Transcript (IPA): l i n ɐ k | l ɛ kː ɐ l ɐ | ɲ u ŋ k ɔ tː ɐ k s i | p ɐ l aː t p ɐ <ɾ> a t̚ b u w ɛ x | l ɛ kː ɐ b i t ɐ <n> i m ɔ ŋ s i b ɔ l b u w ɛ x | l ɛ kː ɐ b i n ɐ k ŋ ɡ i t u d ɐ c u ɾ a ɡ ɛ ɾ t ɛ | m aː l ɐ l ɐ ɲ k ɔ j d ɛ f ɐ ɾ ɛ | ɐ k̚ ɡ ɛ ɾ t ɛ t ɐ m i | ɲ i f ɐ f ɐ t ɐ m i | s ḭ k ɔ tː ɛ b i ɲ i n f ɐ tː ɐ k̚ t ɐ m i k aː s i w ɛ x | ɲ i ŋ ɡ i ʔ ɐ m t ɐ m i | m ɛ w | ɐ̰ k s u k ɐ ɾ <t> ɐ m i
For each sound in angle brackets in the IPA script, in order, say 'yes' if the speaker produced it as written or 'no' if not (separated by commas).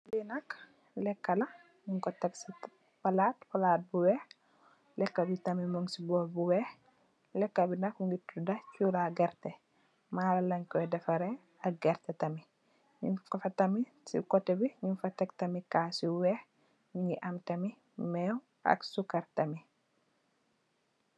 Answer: no, no, yes